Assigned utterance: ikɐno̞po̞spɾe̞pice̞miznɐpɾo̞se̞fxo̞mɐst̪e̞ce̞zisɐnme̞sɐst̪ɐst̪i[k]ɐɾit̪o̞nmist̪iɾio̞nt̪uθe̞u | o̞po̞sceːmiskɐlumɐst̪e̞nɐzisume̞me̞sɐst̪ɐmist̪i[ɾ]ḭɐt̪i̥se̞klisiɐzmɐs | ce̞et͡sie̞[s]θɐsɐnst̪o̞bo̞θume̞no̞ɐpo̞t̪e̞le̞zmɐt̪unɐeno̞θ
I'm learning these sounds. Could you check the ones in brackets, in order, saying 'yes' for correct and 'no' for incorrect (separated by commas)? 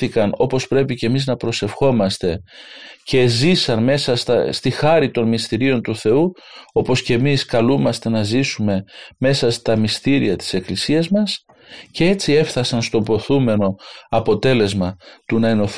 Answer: no, yes, no